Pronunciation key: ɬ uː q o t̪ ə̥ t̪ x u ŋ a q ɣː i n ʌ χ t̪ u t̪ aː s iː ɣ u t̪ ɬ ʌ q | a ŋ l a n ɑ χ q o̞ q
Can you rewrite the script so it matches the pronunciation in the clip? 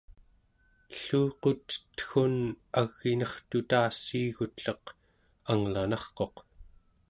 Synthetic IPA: ɬ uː q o t̪ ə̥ t̪ x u n a ɣː i n ʌ χ t̪ u t̪ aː s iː ɣ u t̪ ɬ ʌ q | a ŋ l a n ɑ χ q o̞ q